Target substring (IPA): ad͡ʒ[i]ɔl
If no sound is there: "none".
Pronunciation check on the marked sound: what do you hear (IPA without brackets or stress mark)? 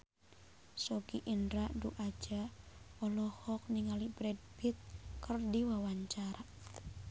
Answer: a